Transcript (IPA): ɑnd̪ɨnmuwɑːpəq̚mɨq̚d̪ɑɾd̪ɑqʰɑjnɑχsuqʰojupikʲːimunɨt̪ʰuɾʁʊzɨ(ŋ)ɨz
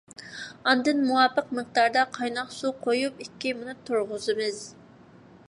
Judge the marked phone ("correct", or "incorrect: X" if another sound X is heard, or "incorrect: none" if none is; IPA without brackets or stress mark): incorrect: m